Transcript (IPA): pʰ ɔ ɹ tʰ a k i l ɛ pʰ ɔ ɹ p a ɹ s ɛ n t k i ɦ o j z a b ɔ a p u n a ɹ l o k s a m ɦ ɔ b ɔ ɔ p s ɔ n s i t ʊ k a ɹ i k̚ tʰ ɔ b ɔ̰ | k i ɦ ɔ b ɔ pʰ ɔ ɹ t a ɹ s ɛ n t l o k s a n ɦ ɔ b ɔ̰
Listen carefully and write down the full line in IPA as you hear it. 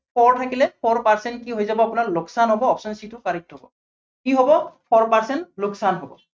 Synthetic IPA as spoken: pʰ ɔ ɹ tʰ a k i l ɛ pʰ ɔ ɹ p a ɹ s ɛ n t k i ɦ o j z a b ɔ a p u n a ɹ l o k s a n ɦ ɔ b ɔ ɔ p s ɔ n s i t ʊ k a ɹ i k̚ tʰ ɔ b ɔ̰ | k i ɦ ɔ b ɔ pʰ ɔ ɹ p a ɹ s ɛ n t l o k s a n ɦ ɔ b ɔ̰